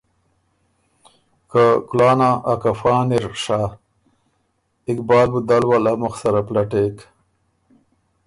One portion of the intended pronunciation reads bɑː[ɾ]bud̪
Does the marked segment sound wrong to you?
yes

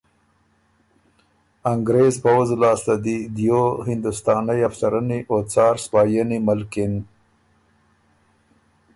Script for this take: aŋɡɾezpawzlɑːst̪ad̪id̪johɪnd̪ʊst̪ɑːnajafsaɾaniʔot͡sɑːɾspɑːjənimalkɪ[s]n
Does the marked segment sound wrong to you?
yes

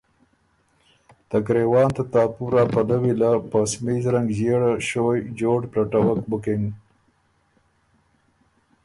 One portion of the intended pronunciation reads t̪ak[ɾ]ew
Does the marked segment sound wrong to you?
no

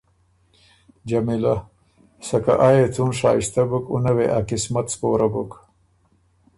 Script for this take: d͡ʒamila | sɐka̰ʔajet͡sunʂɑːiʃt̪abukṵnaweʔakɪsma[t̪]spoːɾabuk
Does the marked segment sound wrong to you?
no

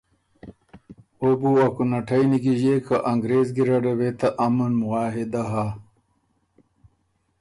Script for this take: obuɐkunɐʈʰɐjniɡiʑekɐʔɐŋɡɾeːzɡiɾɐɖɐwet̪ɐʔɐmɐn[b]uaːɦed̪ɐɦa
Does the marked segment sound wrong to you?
yes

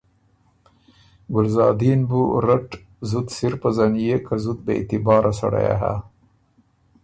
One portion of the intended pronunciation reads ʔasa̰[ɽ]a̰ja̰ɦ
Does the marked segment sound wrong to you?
no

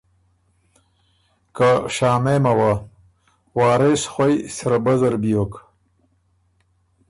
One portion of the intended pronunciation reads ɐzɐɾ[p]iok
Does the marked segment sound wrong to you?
yes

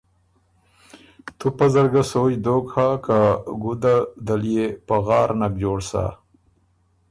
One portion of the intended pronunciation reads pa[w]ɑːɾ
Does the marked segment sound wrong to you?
yes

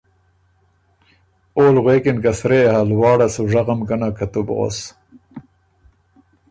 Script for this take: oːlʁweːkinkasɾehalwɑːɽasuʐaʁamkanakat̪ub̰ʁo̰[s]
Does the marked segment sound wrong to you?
no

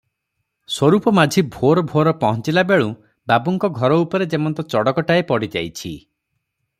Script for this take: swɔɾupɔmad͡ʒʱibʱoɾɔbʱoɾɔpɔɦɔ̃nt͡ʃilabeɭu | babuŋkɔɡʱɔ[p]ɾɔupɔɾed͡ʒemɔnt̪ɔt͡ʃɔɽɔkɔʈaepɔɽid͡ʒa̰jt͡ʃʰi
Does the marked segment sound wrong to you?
yes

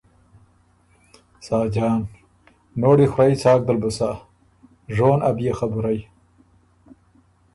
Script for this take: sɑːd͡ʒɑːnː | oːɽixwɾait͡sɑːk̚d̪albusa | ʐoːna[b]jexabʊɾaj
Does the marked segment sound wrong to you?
no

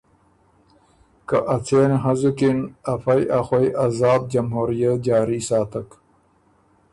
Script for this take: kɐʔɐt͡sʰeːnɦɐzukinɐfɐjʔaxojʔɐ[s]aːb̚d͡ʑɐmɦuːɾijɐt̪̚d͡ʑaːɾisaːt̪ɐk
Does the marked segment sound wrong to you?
yes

